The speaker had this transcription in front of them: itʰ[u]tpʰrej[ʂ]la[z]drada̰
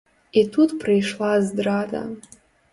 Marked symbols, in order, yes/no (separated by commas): yes, yes, yes